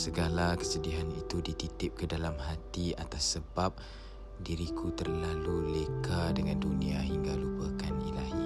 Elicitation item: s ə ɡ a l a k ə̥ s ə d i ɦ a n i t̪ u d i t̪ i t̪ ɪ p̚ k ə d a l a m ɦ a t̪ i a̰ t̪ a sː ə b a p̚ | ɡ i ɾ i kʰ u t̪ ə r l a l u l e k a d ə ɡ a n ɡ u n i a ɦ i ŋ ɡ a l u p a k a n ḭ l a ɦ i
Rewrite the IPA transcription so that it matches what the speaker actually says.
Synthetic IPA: s ə ɡ a l a k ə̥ s ə d i ɦ a n i t̪ u d i t̪ i t̪ ɪ p̚ k ə d a l a m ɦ a t̪ i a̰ t̪ a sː ə b a p̚ | d i ɾ i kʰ u t̪ ə r l a l u l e k a d ə ŋ a n d u n i a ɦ i ŋ ɡ a l u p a k a n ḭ l a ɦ i